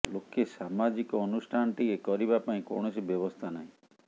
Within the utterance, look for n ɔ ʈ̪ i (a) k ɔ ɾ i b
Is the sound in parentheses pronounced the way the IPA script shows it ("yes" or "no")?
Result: no